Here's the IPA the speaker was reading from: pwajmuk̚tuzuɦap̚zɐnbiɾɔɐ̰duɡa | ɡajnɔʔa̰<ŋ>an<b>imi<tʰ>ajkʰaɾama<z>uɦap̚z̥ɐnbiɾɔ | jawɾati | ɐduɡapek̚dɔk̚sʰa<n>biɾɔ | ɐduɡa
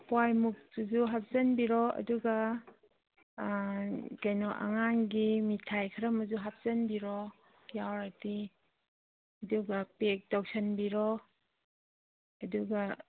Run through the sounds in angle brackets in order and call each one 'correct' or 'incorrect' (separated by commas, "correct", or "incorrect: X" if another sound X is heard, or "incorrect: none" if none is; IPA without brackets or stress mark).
correct, incorrect: ɡ, correct, correct, correct